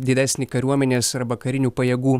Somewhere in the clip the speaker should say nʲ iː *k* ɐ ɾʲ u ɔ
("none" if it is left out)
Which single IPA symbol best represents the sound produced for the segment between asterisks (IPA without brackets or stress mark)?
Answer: k